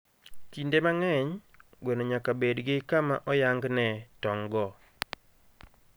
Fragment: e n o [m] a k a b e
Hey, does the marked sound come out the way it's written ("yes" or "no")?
no